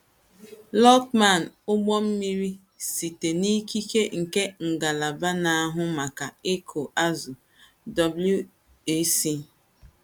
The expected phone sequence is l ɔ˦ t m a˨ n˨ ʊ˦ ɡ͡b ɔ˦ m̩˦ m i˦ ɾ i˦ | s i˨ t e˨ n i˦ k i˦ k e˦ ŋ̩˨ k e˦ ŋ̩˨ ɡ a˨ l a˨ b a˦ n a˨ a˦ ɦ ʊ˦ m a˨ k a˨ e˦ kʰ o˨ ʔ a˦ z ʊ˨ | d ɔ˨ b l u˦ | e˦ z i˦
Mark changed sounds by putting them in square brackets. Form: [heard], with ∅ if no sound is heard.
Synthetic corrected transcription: l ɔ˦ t m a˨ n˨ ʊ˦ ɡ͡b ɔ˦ m̩˦ m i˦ ɾ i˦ | s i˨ t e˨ n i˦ k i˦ k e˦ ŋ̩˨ k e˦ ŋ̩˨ ɡ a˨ l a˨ b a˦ n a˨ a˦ ɦ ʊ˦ m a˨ k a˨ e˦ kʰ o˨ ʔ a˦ z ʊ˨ | d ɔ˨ b l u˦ | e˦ [s] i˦